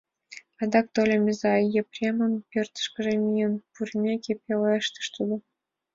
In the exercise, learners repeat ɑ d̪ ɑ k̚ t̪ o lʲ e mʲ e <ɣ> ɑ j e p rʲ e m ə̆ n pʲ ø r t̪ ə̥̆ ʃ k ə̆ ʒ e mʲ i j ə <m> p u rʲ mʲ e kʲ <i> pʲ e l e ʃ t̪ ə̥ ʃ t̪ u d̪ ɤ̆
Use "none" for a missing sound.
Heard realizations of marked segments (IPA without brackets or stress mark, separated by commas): z, n, e